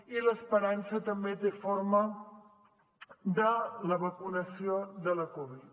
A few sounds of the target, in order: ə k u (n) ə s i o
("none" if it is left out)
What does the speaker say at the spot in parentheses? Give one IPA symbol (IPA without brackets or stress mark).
n